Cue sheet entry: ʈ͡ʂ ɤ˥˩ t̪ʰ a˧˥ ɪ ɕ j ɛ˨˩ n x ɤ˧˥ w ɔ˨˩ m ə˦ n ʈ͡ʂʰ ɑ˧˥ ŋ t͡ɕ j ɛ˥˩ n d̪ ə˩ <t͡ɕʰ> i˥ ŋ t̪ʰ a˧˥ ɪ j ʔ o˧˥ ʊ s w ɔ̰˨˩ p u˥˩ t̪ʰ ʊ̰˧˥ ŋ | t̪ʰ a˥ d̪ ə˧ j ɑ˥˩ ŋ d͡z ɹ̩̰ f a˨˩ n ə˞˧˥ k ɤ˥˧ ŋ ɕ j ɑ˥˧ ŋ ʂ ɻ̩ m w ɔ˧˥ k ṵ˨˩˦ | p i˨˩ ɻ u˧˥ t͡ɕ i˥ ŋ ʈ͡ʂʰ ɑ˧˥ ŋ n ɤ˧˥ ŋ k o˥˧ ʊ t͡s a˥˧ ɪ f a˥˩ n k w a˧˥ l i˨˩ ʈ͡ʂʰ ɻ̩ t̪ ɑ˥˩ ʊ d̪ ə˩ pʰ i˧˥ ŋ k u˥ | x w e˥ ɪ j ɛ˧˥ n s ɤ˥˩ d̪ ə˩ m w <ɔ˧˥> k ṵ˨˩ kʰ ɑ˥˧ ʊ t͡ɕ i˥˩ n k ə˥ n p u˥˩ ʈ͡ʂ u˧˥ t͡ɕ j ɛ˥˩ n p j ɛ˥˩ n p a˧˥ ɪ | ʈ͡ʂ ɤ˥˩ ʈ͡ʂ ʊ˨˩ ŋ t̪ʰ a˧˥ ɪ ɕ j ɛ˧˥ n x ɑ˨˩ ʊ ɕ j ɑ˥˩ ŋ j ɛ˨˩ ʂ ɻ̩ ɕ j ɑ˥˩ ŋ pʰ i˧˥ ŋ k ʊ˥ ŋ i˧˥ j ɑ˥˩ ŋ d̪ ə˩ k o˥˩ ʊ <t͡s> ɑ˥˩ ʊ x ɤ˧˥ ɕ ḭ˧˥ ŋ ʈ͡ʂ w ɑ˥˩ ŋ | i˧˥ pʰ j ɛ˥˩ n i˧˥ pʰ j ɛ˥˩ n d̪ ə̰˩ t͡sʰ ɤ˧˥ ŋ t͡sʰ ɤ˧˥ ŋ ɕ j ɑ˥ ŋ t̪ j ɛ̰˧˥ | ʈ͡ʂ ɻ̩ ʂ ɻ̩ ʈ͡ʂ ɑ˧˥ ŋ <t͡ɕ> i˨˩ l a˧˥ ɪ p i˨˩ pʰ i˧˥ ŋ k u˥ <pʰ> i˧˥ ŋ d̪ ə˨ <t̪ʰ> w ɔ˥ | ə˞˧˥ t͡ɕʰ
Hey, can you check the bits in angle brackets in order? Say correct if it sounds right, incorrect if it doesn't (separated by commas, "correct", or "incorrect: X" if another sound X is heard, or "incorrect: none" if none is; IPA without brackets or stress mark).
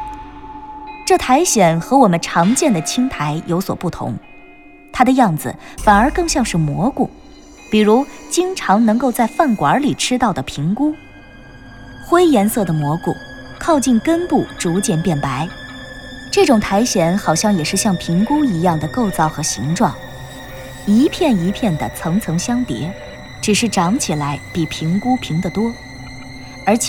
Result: correct, correct, correct, incorrect: t͡ɕʰ, correct, incorrect: t̪